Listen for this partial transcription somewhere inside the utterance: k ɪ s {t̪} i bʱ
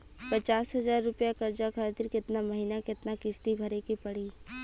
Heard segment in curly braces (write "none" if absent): t̪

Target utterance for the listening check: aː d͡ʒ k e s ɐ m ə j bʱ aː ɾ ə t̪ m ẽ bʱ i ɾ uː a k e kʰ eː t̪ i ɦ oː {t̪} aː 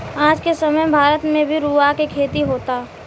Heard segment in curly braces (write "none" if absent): t̪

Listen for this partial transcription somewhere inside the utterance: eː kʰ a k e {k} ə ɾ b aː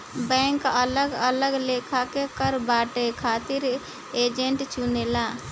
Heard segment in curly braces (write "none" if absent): k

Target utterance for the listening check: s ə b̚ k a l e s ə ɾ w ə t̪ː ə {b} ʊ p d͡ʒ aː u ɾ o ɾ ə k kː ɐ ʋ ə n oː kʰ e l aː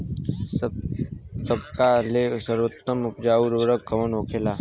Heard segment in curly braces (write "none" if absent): m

